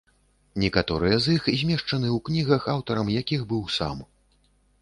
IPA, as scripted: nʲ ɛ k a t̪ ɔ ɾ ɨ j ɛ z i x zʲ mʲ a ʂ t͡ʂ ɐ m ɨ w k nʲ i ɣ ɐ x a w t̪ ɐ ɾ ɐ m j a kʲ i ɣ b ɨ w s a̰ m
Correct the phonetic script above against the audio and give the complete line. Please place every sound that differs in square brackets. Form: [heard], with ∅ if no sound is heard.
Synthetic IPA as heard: nʲ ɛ k a t̪ ɔ ɾ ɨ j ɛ z i x zʲ mʲ [ɛ] ʂ t͡ʂ ɐ [n] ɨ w k nʲ i ɣ ɐ x a w t̪ ɐ ɾ ɐ m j a kʲ i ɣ b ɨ w s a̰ m